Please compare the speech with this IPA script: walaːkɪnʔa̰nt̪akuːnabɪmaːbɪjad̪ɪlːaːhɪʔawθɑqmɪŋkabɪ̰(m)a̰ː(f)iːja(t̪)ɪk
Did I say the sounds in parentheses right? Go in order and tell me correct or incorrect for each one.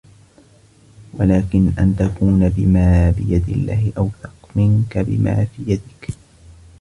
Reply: correct, correct, incorrect: d̪

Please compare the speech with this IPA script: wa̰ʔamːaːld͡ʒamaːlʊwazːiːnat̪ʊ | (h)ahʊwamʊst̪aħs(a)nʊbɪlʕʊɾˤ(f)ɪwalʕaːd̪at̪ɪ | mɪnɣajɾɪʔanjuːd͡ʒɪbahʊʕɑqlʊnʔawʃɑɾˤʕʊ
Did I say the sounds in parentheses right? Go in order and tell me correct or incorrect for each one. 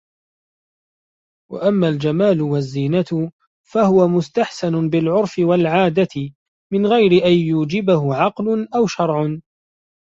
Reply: incorrect: f, correct, correct

